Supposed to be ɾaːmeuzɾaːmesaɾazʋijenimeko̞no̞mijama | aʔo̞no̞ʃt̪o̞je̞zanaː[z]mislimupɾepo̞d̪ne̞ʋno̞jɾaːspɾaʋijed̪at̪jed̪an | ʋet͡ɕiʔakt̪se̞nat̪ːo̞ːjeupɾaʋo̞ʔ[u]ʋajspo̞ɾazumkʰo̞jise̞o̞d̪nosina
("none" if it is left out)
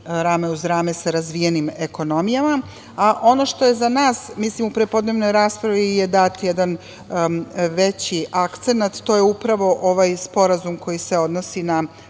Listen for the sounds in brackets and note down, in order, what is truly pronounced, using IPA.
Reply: s, o

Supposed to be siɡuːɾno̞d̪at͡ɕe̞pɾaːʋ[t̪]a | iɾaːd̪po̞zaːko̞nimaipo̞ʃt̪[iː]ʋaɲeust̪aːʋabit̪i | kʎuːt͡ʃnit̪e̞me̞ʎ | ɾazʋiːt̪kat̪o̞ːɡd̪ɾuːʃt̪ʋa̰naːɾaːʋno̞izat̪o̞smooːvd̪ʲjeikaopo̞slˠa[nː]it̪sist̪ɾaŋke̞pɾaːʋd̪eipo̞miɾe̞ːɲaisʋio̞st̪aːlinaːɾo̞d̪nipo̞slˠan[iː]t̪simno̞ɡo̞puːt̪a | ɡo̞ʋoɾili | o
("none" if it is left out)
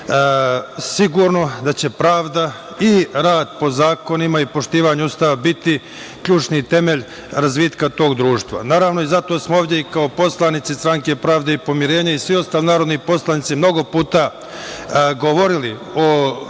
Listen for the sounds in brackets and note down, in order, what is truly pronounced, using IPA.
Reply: d̪, iː, n, i

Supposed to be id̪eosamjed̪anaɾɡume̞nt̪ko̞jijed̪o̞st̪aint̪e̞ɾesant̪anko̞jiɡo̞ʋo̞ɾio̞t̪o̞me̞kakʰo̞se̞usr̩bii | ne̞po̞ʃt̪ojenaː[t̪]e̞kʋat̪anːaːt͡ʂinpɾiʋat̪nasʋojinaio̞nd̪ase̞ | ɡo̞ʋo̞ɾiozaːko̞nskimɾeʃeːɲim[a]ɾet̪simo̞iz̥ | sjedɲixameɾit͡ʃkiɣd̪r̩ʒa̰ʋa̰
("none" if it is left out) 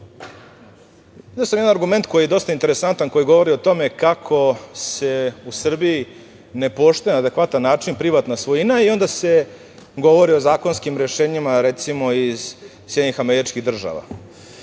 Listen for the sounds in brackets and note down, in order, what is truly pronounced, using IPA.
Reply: d̪, a

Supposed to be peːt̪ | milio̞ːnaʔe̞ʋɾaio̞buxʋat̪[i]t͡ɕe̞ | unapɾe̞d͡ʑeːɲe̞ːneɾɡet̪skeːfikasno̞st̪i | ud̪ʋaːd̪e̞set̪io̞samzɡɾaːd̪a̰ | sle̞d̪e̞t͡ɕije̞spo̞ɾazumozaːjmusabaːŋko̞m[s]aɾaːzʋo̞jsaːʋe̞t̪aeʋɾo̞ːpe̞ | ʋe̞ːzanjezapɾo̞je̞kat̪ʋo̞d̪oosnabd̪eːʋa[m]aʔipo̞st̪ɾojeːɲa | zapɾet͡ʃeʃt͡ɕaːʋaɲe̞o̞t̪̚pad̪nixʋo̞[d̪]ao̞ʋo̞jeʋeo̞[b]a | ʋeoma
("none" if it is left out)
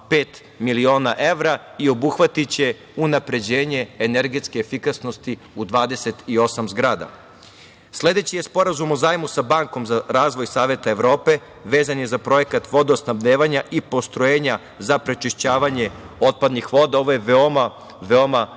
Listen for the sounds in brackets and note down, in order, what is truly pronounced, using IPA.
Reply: i, z, ɲ, d̪, m

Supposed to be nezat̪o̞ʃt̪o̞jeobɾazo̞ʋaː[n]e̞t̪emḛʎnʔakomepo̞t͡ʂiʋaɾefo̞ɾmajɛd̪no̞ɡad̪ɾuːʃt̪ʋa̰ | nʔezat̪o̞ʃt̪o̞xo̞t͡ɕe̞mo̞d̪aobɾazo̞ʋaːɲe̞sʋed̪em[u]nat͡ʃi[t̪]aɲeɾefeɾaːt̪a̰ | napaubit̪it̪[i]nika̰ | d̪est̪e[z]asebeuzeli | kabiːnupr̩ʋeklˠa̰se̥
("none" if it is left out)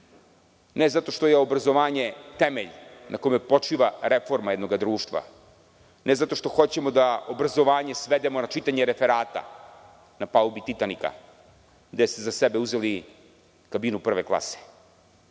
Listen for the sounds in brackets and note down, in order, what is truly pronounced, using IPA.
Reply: ɲ, o, t̪, a, z

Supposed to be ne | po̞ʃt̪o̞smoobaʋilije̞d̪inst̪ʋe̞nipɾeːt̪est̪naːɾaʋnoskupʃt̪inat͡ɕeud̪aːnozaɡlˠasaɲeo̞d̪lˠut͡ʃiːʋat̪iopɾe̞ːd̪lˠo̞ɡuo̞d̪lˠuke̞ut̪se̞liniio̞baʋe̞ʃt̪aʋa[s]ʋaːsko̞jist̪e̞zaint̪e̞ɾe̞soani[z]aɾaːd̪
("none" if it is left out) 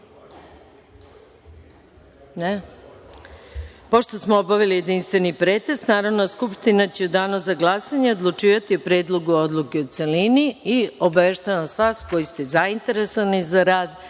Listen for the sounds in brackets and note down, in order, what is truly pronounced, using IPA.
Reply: s, z

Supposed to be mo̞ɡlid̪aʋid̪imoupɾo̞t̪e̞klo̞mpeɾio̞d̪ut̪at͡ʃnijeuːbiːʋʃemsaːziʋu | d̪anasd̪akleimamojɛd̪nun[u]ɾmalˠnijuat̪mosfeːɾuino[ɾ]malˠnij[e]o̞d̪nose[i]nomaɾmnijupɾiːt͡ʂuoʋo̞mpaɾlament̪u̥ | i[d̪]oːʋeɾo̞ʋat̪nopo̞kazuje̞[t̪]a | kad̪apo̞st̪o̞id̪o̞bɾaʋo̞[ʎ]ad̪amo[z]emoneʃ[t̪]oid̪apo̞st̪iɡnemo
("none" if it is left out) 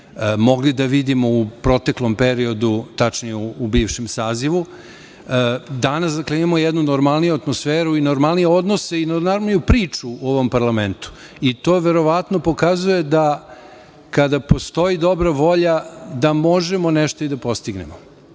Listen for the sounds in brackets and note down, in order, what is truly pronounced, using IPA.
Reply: o, ɾ, e, i, t̪, d̪, ʎ, ʒ, t̪

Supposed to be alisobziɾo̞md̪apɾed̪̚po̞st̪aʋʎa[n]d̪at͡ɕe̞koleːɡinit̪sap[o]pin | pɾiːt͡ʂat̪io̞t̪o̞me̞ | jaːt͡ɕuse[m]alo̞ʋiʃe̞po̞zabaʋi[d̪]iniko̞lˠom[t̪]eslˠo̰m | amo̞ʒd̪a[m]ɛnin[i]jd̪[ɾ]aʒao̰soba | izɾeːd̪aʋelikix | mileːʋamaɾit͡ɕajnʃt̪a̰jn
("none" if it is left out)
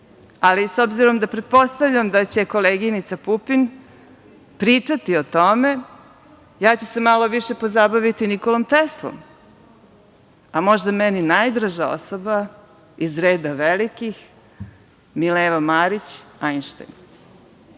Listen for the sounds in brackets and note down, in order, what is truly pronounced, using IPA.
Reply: m, u, m, t̪, t̪, m, a, ɾ

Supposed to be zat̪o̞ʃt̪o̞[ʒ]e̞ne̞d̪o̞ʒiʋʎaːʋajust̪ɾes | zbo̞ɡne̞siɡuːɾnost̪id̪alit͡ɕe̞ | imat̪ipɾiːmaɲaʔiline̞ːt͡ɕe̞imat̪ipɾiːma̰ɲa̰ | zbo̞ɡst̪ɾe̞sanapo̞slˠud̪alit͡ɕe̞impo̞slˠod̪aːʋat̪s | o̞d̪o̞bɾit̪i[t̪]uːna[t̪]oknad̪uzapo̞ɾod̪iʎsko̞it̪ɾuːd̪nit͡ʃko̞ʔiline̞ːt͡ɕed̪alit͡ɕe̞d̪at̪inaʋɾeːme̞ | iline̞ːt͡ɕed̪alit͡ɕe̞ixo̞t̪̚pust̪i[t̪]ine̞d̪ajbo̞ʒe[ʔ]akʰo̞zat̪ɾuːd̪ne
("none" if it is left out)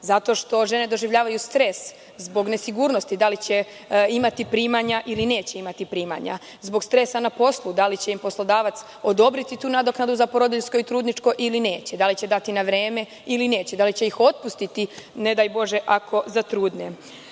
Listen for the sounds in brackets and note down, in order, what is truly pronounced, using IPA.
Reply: ʒ, t̪, d̪, t̪, ʔ

